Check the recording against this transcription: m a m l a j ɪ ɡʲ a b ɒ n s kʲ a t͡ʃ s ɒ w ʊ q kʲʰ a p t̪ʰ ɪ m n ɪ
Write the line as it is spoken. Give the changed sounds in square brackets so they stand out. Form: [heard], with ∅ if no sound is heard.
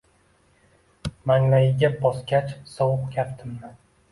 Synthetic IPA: m a [ŋ] l a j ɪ ɡʲ a b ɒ [∅] s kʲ a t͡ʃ s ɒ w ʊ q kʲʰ a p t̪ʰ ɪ m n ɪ